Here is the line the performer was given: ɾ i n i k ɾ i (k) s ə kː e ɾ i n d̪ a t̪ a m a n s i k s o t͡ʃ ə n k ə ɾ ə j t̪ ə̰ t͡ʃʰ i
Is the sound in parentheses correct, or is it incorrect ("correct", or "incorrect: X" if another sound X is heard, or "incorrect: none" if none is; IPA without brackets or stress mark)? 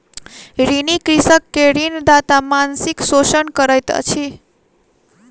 incorrect: none